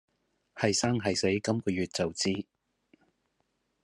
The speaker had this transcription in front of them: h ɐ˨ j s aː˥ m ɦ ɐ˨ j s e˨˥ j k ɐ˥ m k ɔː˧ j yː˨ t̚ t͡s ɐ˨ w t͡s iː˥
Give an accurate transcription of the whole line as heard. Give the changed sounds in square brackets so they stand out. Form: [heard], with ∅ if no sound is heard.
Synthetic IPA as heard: h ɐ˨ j s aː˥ [ŋ] ɦ ɐ˨ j s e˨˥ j k ɐ˥ m k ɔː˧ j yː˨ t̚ t͡s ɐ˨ w t͡s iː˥